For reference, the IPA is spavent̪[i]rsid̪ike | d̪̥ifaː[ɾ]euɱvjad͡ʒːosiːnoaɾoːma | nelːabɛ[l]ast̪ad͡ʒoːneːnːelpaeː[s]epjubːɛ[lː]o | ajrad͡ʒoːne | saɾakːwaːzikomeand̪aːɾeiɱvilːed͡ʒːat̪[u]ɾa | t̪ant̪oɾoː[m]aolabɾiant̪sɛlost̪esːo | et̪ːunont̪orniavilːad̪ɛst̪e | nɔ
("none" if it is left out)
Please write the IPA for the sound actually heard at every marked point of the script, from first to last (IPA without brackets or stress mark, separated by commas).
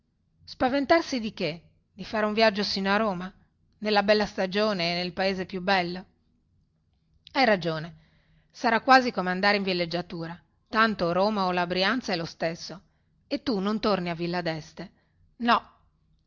a, ɾ, lː, z, lː, uː, m